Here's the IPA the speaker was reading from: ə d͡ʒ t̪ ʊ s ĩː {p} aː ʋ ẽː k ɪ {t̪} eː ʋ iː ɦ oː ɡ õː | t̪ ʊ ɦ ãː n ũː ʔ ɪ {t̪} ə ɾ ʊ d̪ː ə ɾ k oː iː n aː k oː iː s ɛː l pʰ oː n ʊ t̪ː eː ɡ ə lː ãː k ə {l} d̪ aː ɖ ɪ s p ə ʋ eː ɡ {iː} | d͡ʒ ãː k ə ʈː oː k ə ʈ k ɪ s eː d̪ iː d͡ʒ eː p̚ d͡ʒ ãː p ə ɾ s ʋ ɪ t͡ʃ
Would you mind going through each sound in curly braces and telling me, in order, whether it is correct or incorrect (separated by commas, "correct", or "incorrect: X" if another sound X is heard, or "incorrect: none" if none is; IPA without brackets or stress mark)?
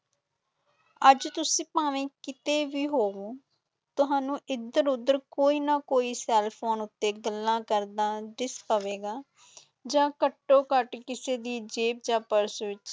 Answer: correct, correct, incorrect: d̪, incorrect: ɾ, incorrect: aː